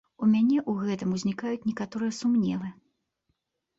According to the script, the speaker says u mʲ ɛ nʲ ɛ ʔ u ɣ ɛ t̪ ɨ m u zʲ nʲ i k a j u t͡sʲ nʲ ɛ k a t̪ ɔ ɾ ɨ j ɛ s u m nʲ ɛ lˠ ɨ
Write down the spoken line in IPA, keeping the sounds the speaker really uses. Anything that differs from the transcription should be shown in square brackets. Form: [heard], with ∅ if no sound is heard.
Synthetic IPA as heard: u mʲ [a] nʲ ɛ ʔ u ɣ ɛ t̪ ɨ m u zʲ nʲ i k a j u t͡sʲ nʲ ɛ k a t̪ ɔ ɾ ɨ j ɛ s u m nʲ ɛ lˠ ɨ